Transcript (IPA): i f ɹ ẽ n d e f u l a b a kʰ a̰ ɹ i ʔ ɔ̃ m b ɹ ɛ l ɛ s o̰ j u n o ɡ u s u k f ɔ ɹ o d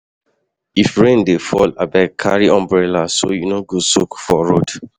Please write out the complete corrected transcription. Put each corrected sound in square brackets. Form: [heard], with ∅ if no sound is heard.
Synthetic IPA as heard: i f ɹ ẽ n d e f [ɔ] l a b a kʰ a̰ ɹ i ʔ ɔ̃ m b ɹ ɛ l [a] s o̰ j u n o ɡ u s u k f ɔ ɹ o d